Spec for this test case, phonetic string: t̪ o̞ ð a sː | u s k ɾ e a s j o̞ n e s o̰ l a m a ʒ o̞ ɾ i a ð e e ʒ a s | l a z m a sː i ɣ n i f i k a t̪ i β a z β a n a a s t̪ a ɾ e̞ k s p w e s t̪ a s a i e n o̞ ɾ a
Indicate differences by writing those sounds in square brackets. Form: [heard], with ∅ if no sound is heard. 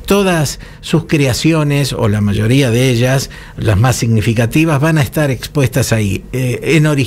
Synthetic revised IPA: t̪ o̞ ð a sː | u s k ɾ e a s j o̞ n e s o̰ l a m a ʒ o̞ ɾ i a ð e e ʒ a s | l a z m a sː i ɣ n i f i k a t̪ i β a z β a n a [e] s t̪ a ɾ e̞ k s p w e s t̪ a s a i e n o̞ ɾ [i]